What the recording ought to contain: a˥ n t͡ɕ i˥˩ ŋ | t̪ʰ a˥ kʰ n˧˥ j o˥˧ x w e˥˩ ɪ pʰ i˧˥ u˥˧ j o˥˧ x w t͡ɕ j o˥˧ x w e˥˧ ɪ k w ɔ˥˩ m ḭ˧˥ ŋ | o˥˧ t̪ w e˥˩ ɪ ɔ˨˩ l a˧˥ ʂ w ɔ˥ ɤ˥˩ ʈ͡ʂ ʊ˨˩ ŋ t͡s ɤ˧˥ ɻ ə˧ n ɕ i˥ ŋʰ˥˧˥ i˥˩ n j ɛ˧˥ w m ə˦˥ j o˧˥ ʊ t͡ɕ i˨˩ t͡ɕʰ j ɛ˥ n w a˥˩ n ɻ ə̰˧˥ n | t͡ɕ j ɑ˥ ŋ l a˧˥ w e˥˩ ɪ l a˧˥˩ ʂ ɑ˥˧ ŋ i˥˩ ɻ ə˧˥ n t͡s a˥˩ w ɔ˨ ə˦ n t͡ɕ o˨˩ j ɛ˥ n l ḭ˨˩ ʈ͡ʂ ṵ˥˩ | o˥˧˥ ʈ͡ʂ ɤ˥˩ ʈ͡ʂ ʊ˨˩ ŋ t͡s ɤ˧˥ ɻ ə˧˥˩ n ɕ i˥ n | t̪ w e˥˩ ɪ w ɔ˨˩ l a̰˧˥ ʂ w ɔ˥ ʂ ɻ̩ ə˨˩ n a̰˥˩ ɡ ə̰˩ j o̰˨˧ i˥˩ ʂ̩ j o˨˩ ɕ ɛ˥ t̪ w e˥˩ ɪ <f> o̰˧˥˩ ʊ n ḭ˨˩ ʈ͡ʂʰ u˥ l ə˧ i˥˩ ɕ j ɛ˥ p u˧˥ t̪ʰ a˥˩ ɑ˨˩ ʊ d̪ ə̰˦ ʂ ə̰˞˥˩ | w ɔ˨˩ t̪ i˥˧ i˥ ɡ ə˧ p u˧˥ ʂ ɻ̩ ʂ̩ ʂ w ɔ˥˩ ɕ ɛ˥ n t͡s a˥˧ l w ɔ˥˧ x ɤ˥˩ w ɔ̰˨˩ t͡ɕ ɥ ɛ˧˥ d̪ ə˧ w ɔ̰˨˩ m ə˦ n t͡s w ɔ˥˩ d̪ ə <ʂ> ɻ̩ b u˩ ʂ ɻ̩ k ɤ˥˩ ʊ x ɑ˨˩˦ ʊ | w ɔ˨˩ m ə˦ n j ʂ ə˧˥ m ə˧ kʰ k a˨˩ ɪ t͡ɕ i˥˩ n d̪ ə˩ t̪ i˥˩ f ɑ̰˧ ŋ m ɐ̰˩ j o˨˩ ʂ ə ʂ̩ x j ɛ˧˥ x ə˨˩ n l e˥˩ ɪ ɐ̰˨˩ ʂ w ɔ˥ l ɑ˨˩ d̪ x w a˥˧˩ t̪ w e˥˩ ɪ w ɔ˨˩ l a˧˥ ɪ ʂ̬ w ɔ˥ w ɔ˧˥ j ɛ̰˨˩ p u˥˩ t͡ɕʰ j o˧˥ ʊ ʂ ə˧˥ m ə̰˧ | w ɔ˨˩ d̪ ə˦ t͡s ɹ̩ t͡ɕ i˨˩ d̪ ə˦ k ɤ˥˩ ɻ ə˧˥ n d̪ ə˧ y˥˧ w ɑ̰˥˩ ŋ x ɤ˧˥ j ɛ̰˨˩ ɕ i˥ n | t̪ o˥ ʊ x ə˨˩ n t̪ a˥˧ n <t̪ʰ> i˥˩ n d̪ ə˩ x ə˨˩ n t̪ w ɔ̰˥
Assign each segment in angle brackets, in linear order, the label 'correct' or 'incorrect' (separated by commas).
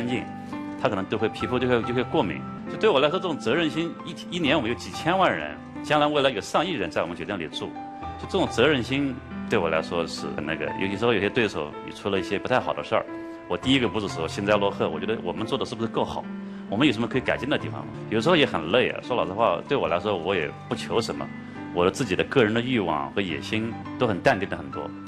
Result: incorrect, correct, incorrect